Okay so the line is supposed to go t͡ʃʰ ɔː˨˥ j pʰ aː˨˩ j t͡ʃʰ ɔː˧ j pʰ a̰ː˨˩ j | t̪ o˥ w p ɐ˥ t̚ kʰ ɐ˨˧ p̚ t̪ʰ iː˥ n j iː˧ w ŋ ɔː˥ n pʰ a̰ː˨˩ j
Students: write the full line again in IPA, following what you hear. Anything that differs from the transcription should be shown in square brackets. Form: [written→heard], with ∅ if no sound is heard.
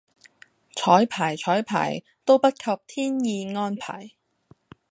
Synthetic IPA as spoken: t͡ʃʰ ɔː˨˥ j pʰ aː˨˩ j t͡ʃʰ [ɔː˧→ɔː˨˥] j pʰ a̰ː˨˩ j | t̪ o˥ w p ɐ˥ t̚ kʰ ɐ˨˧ p̚ t̪ʰ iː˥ n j iː˧ [w→∅] ŋ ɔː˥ n pʰ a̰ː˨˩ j